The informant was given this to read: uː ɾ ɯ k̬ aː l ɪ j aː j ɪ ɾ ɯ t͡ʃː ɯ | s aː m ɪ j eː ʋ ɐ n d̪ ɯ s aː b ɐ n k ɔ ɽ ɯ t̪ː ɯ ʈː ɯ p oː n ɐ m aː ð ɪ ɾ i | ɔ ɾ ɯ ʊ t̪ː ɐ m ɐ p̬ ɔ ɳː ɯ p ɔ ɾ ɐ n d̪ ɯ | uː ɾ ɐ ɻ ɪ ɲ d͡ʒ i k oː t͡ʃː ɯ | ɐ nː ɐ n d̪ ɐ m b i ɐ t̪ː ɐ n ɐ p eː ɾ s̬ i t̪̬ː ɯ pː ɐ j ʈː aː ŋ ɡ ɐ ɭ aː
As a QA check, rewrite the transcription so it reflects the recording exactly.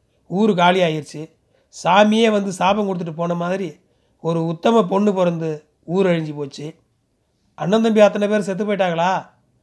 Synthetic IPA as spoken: uː ɾ ɯ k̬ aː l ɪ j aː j ɪ ɾ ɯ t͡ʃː ɯ | s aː m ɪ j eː ʋ ɐ n d̪ ɯ s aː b ɐ ŋ k ɔ ɽ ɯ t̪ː ɯ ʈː ɯ p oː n ɐ m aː ð ɪ ɾ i | ɔ ɾ ɯ ʊ t̪ː ɐ m ɐ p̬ ɔ ɳː ɯ p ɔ ɾ ɐ n d̪ ɯ | uː ɾ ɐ ɻ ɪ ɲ d͡ʒ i p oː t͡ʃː ɯ | ɐ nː ɐ n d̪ ɐ m b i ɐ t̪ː ɐ n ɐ p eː ɾ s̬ ɛ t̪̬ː ɯ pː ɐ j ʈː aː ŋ ɡ ɐ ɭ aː